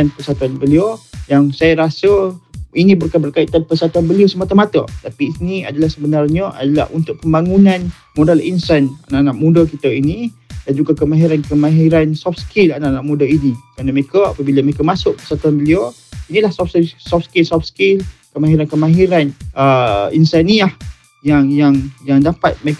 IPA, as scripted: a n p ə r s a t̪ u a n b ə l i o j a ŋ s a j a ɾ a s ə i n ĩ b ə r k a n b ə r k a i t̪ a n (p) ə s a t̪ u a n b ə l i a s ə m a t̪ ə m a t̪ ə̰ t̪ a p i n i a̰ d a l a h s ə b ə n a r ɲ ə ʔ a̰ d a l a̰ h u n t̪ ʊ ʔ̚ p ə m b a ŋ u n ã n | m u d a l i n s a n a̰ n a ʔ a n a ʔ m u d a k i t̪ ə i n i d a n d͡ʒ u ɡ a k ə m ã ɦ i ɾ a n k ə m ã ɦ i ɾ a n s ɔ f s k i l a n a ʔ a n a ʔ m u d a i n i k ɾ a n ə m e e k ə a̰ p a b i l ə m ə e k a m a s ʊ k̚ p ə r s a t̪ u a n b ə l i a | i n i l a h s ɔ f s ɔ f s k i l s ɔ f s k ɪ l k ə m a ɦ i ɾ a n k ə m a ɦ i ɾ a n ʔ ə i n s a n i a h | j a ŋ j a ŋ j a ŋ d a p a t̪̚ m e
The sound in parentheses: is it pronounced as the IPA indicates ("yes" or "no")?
yes